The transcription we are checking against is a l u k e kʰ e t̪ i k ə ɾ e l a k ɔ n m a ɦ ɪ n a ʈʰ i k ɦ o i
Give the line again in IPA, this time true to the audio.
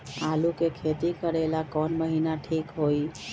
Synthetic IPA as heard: a l u k e kʰ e t̪ i k ə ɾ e l a k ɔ n m ə ɦ i n a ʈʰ i k ɦ o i